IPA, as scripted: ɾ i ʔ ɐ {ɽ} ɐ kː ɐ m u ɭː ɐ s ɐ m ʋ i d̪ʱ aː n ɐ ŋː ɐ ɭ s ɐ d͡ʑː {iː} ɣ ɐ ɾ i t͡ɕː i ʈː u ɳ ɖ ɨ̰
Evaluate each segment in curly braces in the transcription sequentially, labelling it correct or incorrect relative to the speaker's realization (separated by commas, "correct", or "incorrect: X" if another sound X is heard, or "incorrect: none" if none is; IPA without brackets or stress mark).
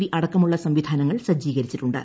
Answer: correct, correct